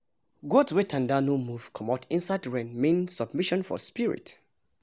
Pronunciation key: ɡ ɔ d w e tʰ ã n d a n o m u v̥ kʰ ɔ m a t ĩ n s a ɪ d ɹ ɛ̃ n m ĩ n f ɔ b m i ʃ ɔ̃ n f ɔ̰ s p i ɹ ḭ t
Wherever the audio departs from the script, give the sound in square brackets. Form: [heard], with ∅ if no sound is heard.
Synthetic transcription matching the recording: ɡ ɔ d w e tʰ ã n d a n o m u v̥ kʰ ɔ m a t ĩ n s a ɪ d ɹ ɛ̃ n m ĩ n [s] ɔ b m i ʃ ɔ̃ n f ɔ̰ s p i ɹ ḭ t